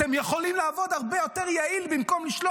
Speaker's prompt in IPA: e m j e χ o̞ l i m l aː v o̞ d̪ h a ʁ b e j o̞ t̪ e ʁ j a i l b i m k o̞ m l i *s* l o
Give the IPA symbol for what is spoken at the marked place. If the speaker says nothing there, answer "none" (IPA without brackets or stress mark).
ʃ